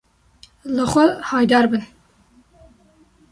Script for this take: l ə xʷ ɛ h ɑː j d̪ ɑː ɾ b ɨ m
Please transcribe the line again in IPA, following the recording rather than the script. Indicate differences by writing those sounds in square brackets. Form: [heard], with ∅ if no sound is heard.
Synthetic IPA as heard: l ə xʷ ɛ h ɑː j d̪ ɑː ɾ b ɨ [n]

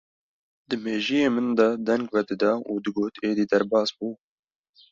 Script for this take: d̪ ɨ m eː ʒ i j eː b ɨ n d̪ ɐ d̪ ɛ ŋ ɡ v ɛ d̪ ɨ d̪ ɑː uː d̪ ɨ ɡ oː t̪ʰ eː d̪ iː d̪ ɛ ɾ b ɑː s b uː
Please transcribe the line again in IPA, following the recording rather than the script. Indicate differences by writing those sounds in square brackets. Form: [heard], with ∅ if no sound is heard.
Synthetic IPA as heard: d̪ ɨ m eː ʒ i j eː [m] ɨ n d̪ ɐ d̪ ɛ ŋ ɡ v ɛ d̪ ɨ d̪ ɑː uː d̪ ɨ ɡ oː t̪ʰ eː d̪ iː d̪ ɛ ɾ b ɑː s b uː

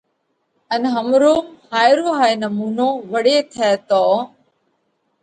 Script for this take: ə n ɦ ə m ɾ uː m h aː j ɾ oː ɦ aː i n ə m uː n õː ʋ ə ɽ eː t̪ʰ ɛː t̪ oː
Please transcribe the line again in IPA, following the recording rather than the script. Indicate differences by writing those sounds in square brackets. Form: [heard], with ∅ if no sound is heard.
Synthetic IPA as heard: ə n ɦ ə m ɾ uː m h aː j ɾ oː ɦ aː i n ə m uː n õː ʋ ə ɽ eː t̪ʰ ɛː t̪ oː

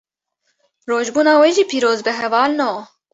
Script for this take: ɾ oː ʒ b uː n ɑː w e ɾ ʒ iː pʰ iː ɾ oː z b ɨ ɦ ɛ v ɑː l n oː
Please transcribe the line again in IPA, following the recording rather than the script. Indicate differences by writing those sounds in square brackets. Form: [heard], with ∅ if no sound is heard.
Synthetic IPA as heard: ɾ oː ʒ b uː n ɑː w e [∅] ʒ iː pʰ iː ɾ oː z b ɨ ɦ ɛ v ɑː l n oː

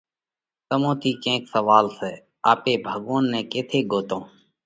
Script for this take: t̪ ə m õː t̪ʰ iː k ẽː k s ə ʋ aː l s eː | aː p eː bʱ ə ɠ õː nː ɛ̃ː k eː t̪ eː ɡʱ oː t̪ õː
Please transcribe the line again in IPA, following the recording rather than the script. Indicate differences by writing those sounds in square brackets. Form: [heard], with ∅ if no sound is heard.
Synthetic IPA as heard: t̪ ə m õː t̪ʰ iː k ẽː k s ə ʋ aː l s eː | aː p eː bʱ ə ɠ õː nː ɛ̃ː k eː [t̪ʰ] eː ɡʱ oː t̪ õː

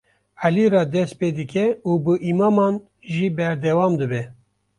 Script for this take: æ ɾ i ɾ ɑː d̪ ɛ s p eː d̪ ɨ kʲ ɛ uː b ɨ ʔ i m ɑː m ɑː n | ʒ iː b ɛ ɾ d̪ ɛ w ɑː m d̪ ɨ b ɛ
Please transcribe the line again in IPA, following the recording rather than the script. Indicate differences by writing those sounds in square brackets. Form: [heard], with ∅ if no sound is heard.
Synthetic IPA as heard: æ [l] i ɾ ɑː d̪ ɛ s p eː d̪ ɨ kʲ ɛ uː b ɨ ʔ i m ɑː m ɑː n | ʒ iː b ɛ ɾ d̪ ɛ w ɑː m d̪ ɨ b ɛ

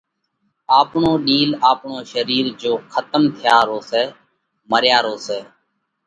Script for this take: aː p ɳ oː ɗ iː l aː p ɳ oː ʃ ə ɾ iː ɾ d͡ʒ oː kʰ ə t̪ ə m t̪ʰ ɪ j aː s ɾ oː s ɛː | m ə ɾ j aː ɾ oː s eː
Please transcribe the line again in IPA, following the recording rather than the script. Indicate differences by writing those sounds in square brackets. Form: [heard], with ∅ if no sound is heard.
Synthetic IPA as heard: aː p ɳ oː ɗ iː l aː p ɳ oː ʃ ə ɾ iː ɾ d͡ʒ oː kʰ ə t̪ ə m t̪ʰ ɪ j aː [∅] ɾ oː s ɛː | m ə ɾ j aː ɾ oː s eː

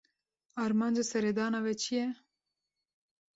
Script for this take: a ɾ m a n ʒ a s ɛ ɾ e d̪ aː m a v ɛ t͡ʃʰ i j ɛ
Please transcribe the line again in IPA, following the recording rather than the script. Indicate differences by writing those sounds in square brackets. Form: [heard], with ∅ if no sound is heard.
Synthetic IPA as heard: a ɾ m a n [d͡ʒ] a s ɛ ɾ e d̪ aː [n] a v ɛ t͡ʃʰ i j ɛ

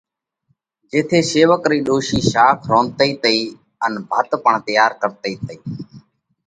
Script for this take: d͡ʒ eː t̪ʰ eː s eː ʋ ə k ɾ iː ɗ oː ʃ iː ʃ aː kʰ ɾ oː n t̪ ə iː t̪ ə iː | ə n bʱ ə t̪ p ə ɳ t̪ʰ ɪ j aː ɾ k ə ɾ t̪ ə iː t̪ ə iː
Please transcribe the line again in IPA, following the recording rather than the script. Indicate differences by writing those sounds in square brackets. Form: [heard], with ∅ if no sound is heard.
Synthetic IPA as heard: d͡ʒ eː t̪ʰ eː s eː ʋ ə k ɾ iː ɗ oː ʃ iː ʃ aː kʰ ɾ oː n t̪ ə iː t̪ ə iː | ə n bʱ ə t̪ p ə ɳ [t̪] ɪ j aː ɾ k ə ɾ t̪ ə iː t̪ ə iː

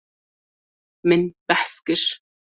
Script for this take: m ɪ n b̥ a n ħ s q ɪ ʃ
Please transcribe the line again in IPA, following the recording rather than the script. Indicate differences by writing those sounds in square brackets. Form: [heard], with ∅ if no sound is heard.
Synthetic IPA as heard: m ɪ n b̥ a [∅] ħ s [k] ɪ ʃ

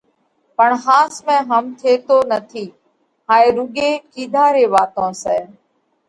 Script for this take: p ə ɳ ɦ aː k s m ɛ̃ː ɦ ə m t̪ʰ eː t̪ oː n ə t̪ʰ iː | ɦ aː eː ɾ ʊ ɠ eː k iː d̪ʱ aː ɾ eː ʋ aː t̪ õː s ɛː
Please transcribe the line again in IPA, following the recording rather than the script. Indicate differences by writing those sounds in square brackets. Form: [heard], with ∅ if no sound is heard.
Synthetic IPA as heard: p ə ɳ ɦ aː [∅] s m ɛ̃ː ɦ ə m t̪ʰ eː t̪ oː n ə t̪ʰ iː | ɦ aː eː ɾ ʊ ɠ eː k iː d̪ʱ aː ɾ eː ʋ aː t̪ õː s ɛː

